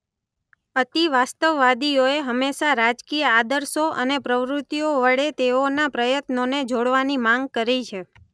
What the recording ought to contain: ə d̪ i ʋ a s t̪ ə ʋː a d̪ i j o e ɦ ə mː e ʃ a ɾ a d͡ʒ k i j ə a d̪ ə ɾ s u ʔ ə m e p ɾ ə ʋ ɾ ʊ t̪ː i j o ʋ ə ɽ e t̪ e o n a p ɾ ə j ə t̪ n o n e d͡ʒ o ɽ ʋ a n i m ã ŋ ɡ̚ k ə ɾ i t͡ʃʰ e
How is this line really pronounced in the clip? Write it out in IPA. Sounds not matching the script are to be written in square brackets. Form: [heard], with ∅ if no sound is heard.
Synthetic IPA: ə [t̪] i ʋ a s t̪ ə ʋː a d̪ i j o e ɦ ə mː e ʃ a ɾ a d͡ʒ k i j ə a d̪ ə ɾ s [o] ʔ ə [n] e p ɾ ə ʋ ɾ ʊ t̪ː i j o ʋ ə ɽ e t̪ e o n a p ɾ ə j ə t̪ n o n e d͡ʒ o ɽ ʋ a n i m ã ŋ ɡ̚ k ə ɾ i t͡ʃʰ e